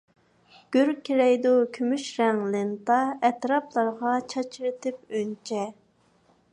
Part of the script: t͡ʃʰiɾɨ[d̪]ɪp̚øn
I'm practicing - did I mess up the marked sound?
yes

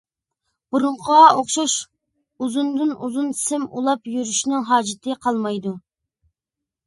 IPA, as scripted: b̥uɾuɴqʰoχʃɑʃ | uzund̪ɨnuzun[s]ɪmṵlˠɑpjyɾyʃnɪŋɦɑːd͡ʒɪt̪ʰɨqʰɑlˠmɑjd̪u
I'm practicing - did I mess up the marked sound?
no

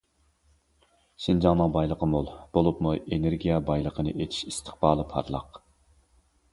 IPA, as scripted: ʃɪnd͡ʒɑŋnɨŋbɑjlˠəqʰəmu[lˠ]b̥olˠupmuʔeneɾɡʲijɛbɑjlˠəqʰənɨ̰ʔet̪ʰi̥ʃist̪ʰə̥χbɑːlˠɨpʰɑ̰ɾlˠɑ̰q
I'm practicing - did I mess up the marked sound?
no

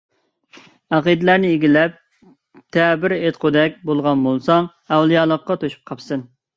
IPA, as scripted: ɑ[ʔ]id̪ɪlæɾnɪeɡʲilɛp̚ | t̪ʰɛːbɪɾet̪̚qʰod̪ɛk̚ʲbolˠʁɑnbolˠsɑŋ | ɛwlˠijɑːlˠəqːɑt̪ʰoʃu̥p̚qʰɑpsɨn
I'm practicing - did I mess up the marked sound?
yes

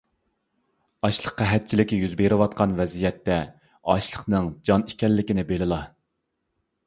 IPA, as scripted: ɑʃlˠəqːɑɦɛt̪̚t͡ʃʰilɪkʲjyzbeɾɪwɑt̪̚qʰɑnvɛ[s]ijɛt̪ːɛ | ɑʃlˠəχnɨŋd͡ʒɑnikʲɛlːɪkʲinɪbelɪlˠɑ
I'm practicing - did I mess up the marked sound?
yes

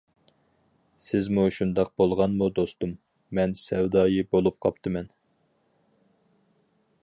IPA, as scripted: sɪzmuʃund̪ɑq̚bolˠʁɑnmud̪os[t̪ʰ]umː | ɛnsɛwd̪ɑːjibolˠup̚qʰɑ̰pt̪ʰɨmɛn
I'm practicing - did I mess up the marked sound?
yes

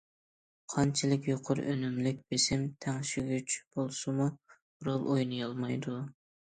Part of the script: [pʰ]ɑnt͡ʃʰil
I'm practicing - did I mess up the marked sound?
yes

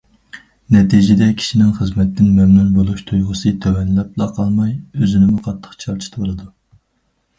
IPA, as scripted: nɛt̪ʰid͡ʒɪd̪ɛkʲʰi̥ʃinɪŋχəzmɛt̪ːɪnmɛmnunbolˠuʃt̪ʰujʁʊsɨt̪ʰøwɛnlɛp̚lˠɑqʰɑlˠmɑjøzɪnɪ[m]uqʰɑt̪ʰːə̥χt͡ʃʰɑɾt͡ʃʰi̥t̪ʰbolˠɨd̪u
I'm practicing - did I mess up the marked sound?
no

